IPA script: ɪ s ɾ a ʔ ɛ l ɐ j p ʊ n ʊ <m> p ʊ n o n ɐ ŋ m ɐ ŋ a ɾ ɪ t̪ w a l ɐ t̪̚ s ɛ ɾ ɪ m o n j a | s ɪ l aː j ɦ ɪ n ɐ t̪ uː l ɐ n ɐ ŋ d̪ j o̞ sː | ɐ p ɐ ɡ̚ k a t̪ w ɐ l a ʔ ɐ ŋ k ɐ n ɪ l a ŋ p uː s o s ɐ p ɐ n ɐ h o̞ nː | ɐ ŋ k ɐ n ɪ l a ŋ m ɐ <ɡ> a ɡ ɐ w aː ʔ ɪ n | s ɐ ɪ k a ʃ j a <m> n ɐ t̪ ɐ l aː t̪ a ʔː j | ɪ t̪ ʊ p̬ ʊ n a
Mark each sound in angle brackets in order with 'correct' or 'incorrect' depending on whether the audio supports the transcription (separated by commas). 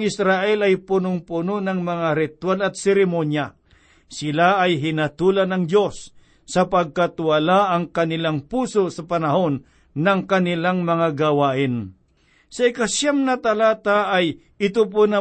incorrect, incorrect, correct